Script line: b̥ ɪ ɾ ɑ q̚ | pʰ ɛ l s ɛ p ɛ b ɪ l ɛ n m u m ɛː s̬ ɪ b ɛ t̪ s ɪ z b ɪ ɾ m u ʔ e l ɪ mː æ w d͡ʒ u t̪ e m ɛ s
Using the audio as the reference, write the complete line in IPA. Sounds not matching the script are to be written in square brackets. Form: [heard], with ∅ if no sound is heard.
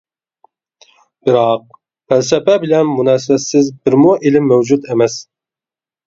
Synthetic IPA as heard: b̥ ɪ ɾ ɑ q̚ | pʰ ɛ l s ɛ p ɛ b ɪ l ɛ n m u [n] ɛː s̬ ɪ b ɛ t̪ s ɪ z b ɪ ɾ m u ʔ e l ɪ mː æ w d͡ʒ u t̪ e m ɛ s